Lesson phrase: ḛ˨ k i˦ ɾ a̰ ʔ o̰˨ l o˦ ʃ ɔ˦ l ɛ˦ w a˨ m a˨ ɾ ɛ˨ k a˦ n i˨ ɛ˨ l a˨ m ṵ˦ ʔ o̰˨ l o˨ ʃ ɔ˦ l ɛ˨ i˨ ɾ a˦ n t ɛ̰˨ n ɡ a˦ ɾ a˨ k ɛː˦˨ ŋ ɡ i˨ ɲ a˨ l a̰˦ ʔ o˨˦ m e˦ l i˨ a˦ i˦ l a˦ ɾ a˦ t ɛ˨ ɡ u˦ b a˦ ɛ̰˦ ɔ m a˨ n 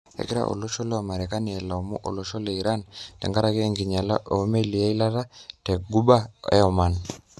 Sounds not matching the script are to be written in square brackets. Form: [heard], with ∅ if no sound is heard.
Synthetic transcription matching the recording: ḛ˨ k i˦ ɾ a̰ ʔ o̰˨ l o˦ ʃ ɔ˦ l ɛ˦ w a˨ m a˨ ɾ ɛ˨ k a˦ n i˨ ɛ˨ l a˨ m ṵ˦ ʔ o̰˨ l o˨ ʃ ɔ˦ l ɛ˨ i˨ ɾ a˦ n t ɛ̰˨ [ŋ] ɡ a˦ ɾ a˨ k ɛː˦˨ ŋ ɡ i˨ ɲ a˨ l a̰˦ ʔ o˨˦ m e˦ l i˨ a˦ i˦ l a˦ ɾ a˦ t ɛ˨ ɡ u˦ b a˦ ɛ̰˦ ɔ m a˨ n

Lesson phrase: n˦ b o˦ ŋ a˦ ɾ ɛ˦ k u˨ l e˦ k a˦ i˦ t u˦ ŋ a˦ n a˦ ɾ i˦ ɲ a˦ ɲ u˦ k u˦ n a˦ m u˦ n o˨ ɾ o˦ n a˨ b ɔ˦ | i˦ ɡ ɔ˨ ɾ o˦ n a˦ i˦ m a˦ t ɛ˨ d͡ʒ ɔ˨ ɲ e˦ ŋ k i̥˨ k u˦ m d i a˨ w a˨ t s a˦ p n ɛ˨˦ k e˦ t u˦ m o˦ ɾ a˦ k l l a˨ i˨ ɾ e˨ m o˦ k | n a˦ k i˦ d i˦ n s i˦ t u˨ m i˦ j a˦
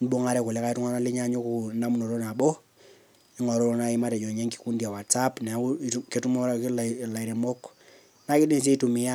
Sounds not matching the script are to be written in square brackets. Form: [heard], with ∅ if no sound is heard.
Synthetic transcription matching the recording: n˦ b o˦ ŋ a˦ ɾ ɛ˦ k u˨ l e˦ k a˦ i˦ t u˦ ŋ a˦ n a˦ [l] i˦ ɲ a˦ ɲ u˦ k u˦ n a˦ m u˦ n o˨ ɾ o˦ n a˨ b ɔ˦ | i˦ [ŋ] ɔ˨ ɾ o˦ n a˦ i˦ m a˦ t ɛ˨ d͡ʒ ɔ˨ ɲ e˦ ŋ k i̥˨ k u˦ [n] d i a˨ w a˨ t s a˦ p n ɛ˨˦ k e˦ t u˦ m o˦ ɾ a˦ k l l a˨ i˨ ɾ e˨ m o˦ k | n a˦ k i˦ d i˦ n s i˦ t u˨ m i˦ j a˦

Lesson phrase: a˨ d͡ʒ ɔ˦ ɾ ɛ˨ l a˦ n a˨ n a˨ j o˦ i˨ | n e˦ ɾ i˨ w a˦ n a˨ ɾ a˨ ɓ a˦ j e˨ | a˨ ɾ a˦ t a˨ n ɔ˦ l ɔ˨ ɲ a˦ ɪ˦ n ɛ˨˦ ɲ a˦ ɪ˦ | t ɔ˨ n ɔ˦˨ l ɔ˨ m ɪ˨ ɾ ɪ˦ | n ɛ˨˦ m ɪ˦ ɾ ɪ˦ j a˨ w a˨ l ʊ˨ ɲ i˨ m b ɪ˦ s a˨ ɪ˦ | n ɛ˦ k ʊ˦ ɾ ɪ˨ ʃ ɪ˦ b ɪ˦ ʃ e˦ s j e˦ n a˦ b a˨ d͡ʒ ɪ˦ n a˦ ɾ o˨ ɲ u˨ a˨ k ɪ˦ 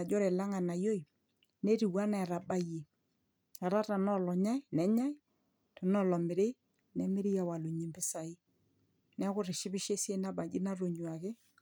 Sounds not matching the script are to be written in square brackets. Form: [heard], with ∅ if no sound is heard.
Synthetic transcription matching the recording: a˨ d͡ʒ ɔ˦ ɾ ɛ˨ l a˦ [ŋ] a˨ n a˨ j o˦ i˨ | n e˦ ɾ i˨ w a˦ n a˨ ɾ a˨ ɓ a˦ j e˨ | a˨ ɾ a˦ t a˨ n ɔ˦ l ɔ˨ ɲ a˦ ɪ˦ n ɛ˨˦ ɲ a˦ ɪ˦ | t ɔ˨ n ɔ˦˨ l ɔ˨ m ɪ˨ ɾ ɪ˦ | n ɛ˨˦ m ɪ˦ ɾ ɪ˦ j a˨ w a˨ l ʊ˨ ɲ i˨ m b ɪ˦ s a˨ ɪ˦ | n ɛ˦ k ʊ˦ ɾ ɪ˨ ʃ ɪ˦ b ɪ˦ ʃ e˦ s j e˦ n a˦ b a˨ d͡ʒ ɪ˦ n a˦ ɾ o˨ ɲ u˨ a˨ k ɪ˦

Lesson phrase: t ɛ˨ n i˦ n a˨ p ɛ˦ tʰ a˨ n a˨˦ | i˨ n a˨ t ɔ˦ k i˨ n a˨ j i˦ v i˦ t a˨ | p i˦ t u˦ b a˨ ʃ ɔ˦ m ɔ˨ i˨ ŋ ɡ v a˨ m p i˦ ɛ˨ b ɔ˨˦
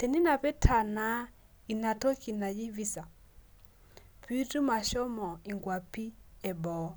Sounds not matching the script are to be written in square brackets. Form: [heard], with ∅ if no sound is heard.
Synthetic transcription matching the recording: t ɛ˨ n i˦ n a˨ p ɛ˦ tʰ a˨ n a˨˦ | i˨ n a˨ t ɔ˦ k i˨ n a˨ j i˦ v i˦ [s] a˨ | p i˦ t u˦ [m] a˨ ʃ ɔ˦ m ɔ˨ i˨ ŋ ɡ [w] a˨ [∅] p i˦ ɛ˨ b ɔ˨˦

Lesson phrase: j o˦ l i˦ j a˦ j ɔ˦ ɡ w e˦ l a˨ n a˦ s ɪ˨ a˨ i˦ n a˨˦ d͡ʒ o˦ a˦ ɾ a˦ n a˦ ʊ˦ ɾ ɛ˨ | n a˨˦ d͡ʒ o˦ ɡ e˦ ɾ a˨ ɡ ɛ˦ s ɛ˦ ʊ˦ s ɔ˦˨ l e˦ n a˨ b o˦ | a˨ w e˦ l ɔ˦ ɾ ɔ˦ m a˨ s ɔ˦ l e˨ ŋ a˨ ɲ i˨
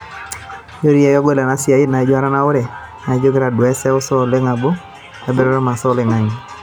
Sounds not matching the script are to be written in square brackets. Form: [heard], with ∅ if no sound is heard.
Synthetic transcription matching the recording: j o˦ [ɾ] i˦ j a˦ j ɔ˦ ɡ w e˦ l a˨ n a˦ s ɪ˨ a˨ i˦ n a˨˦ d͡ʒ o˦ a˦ ɾ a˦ n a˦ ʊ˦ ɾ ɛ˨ | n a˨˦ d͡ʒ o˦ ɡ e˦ ɾ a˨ [d] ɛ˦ s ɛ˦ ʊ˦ s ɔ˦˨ l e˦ [ŋ] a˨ b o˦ | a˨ [b] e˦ [ɾ] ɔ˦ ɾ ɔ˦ m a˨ s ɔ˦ l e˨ ŋ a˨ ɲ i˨

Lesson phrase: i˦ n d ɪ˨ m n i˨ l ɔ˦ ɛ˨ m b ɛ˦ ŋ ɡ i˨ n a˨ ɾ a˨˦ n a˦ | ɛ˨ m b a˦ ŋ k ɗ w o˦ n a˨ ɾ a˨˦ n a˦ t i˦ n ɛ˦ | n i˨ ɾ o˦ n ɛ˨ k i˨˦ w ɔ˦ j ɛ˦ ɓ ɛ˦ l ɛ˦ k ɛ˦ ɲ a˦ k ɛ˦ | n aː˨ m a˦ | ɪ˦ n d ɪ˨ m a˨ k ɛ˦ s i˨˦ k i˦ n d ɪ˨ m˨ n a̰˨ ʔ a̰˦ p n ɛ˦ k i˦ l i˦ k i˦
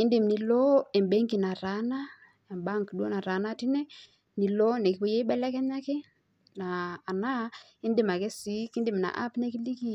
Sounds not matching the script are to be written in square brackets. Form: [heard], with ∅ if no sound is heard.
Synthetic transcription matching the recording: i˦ n d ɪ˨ m n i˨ l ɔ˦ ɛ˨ m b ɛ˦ ŋ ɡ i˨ n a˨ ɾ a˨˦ n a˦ | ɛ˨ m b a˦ ŋ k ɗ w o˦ n a˨ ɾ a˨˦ n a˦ t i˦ n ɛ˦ | n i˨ [l] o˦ n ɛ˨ k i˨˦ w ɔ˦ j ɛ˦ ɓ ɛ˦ l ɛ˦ k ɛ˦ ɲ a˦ k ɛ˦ | n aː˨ [n] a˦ | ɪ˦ n d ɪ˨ m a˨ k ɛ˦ s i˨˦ k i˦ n d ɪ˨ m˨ n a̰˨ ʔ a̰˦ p n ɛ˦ k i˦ l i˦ k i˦

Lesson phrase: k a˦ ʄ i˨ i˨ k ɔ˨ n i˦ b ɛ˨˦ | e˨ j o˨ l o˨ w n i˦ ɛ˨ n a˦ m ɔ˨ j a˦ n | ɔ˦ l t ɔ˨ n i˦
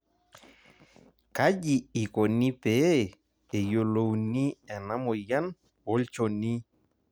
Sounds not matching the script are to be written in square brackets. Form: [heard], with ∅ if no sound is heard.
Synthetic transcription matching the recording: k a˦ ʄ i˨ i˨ k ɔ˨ n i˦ [p] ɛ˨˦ | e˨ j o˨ l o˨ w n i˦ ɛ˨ n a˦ m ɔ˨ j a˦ n | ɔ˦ l [t͡ʃ] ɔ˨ n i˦

